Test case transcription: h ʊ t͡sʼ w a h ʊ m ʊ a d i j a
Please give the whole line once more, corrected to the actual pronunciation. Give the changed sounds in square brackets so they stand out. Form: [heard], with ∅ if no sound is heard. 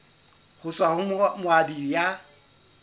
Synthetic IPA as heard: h ʊ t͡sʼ w a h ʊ m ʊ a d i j a

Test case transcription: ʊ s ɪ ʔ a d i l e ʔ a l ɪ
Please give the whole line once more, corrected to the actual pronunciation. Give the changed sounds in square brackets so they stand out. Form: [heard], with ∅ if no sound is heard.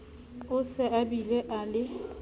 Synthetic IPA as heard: ʊ s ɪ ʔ a [b] i l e ʔ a l ɪ

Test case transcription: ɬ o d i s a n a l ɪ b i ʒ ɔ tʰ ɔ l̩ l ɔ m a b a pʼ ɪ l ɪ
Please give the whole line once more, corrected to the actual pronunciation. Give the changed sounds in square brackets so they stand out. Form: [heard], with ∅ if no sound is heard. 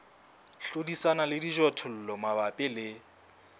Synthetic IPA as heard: ɬ o d i s a n a l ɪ [d] i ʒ ɔ tʰ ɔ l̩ l ɔ m a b a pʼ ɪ l ɪ

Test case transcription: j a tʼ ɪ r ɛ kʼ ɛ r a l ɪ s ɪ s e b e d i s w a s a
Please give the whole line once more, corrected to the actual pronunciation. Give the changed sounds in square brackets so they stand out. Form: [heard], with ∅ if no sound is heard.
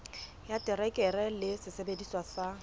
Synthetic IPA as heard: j a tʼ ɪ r ɛ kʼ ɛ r [ɛ] l ɪ s ɪ s e b e d i s w a s a

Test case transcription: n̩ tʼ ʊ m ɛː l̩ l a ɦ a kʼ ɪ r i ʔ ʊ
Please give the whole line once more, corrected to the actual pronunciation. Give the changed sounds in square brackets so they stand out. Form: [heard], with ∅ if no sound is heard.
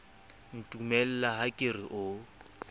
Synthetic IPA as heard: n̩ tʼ [u] m [ɛ] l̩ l a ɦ a kʼ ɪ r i ʔ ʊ

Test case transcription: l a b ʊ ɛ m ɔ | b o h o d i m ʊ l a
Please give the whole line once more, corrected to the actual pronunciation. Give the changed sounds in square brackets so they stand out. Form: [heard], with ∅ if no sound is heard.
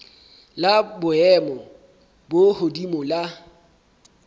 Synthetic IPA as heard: l a b ʊ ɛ m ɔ | b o h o d i m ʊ l a

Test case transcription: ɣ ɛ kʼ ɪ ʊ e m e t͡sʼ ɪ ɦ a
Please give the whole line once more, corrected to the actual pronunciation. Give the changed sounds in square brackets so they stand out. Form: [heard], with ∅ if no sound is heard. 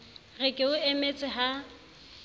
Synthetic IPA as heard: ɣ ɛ kʼ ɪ ʊ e m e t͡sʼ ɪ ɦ a

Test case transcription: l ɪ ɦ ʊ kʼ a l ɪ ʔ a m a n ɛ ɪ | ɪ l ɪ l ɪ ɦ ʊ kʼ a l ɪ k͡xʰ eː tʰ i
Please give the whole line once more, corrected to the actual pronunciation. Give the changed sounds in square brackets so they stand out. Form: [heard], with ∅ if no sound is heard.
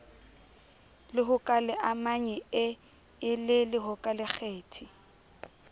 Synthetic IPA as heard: l ɪ ɦ ʊ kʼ a l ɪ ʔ a m a [ɲ] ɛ ɪ | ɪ l ɪ l ɪ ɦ ʊ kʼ a l ɪ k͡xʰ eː tʰ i

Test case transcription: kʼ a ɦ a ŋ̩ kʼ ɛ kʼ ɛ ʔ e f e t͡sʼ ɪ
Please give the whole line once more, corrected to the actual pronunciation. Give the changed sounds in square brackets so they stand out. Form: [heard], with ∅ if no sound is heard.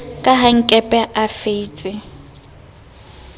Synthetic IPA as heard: kʼ a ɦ a ŋ̩ kʼ ɛ [pʼ] ɛ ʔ [a] f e t͡sʼ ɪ

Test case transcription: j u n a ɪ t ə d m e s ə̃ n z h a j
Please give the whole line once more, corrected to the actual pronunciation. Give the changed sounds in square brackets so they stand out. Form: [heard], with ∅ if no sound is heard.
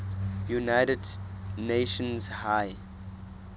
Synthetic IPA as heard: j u n a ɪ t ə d [n] e [ʃ] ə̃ n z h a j

